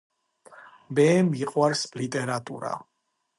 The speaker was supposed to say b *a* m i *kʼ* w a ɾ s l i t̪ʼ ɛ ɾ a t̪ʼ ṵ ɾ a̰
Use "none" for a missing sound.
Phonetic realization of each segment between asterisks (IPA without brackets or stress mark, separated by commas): ɛ, qʼ